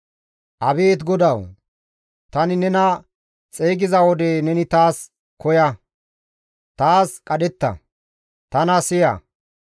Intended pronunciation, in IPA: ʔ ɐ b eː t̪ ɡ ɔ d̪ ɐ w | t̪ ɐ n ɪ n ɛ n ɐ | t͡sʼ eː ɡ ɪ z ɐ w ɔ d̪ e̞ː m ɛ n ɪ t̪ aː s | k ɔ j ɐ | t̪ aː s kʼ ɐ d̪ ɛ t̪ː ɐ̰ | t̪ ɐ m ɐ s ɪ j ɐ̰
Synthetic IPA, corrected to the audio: ʔ ɐ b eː t̪ ɡ ɔ d̪ ɐ w | t̪ ɐ n ɪ n ɛ n ɐ | t͡sʼ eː ɡ ɪ z ɐ w ɔ d̪ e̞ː n ɛ n ɪ t̪ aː s | k ɔ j ɐ | t̪ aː s kʼ ɐ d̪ ɛ t̪ː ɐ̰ | t̪ ɐ n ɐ s ɪ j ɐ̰